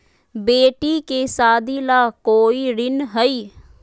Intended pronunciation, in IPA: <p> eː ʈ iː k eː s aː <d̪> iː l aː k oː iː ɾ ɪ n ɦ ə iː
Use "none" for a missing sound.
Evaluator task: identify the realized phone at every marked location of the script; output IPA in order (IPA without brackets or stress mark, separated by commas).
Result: b, d̪